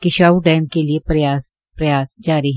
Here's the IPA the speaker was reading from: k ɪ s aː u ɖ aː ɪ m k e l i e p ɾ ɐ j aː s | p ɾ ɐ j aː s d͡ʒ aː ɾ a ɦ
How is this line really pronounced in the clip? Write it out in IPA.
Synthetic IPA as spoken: k ɪ ʃ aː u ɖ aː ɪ m k e l i e p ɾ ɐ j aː s | p ɾ ɐ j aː s d͡ʒ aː ɾ i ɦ